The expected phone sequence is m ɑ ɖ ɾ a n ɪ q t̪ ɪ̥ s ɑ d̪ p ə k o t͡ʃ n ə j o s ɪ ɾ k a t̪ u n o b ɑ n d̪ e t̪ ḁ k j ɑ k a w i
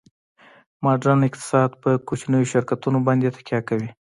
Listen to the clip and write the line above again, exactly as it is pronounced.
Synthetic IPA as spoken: m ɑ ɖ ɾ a n ɪ q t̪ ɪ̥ s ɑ d̪ p ə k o t͡ʃ n ə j o ʃ ɪ ɾ k a t̪ u n o b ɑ n d̪ e t̪ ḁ k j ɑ k a w i